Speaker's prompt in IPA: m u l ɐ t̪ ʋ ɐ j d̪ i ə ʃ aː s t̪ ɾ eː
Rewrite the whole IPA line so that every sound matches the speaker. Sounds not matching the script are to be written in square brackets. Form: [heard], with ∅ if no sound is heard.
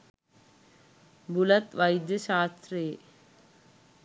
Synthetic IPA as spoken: [b] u l ɐ t̪ ʋ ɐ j d̪ [j] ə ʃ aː s t̪ ɾ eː